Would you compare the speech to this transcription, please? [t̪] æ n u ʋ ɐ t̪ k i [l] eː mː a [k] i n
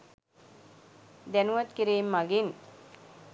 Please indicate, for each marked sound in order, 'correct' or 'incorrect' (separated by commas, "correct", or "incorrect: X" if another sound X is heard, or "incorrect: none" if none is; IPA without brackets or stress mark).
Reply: incorrect: d̪, incorrect: ɾ, incorrect: ɡ